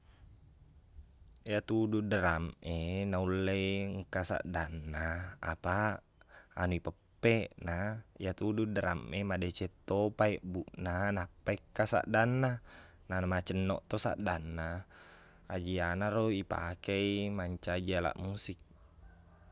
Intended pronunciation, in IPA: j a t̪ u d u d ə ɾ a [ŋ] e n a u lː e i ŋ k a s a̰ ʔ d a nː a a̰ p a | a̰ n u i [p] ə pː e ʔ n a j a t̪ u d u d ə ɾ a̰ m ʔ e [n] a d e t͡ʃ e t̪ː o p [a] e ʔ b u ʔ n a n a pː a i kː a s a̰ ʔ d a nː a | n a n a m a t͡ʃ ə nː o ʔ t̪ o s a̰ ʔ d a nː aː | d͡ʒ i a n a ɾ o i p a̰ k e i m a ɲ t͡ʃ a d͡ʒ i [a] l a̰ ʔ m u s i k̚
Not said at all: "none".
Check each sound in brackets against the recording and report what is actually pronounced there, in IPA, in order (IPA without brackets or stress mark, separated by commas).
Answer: m, p, m, a, a